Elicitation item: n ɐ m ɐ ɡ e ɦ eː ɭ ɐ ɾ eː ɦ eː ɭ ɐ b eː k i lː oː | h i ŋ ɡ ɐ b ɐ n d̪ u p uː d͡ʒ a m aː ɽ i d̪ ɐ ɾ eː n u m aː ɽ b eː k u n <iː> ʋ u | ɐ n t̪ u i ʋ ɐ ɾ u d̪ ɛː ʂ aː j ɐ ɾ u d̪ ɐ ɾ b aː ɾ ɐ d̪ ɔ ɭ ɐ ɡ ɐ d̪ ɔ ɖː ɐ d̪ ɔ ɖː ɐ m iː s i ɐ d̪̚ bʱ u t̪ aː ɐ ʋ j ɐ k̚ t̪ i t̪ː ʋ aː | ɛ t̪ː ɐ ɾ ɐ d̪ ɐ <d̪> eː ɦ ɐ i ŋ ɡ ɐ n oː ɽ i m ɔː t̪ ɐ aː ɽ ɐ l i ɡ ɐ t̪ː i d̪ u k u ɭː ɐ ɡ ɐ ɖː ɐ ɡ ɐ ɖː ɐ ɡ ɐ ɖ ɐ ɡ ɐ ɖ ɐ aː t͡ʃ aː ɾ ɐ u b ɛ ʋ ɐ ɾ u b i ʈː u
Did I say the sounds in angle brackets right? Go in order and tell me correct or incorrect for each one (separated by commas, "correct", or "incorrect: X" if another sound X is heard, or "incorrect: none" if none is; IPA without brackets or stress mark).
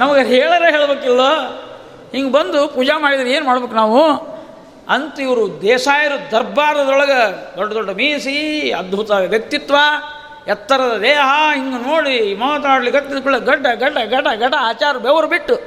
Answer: incorrect: aː, correct